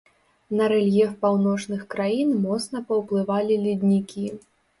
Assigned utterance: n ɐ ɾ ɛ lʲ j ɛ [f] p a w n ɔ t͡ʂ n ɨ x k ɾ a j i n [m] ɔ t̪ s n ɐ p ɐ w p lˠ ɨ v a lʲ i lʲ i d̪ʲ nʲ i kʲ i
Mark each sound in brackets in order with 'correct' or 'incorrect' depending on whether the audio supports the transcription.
correct, correct

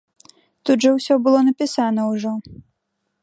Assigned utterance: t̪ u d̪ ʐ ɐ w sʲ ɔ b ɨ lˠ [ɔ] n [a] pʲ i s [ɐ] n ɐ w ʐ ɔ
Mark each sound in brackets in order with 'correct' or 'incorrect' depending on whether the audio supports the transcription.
correct, incorrect: ɐ, incorrect: a

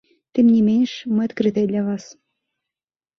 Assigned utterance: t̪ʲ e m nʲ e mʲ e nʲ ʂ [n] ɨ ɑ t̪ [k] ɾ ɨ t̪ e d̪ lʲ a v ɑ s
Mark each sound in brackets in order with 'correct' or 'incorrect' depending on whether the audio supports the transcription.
incorrect: m, correct

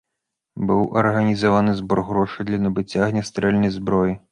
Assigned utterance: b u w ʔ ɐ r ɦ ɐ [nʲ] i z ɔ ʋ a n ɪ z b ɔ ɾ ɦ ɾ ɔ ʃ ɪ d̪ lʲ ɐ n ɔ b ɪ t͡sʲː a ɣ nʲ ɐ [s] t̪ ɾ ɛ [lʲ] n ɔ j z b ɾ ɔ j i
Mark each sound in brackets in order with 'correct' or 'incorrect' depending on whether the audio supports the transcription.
correct, correct, correct

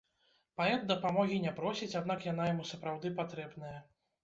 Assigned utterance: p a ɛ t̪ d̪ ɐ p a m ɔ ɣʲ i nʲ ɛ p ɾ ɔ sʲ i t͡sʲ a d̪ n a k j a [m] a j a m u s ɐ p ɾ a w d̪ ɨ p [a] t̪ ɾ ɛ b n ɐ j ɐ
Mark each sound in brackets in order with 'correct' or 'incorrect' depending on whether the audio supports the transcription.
incorrect: n, correct

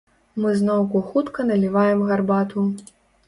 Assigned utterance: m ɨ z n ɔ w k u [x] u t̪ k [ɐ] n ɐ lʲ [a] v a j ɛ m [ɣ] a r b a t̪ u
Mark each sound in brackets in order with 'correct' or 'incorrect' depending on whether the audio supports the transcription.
correct, correct, incorrect: i, correct

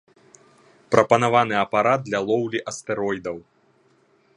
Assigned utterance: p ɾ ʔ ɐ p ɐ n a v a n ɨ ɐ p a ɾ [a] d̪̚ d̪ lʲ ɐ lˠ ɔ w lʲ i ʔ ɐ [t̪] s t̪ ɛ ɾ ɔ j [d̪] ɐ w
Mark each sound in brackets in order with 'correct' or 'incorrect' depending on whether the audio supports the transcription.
correct, incorrect: none, correct

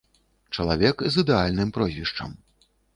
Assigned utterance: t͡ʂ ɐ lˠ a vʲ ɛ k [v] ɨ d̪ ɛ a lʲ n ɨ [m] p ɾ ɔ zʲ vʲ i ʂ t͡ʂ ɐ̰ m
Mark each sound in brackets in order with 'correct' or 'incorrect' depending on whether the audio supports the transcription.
incorrect: z, correct

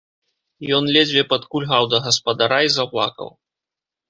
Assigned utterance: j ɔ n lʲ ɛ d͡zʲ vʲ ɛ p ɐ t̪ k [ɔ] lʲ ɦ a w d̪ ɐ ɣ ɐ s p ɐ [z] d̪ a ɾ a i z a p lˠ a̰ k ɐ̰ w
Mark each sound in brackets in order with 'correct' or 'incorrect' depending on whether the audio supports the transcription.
incorrect: u, incorrect: none

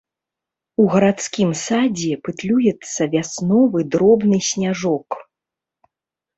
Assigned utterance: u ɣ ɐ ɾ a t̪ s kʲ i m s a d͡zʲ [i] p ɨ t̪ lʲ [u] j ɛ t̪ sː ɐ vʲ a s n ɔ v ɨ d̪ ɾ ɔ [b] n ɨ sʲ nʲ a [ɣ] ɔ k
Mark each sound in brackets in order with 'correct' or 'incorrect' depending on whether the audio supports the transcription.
incorrect: ɛ, correct, correct, incorrect: ʐ

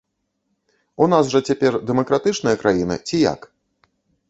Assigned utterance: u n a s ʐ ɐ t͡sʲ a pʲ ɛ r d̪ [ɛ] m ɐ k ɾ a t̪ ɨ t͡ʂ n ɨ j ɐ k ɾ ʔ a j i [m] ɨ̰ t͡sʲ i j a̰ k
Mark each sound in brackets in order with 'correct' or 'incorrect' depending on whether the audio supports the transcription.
correct, incorrect: n

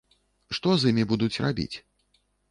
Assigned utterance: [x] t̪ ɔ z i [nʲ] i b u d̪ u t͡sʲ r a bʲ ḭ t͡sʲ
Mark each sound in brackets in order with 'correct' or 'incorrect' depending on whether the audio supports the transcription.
incorrect: ʂ, incorrect: mʲ

